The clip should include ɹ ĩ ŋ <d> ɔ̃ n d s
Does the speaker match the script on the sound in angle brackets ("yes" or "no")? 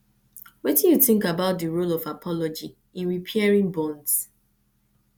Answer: no